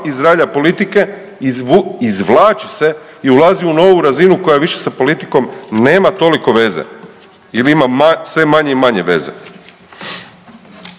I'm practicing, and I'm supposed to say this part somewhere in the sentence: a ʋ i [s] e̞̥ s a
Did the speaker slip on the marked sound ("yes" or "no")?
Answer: yes